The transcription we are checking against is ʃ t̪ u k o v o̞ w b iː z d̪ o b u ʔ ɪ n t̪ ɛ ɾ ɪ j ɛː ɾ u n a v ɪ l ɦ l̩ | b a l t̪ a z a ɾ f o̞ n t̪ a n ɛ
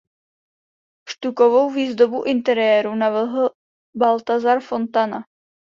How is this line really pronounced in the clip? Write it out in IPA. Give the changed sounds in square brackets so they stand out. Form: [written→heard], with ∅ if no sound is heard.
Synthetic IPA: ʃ t̪ u k o v o̞ w [b→v] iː z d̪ o b u ʔ ɪ n t̪ ɛ ɾ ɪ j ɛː ɾ u n a v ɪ l ɦ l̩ | b a l t̪ a z a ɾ f o̞ n t̪ a n [ɛ→a]